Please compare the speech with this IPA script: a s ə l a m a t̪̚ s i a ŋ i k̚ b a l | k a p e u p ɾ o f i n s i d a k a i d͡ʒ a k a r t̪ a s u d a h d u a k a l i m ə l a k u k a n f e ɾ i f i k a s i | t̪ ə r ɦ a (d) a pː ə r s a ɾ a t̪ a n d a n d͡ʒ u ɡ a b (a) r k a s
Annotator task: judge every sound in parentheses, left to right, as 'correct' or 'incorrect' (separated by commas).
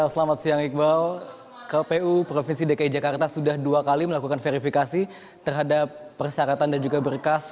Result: correct, incorrect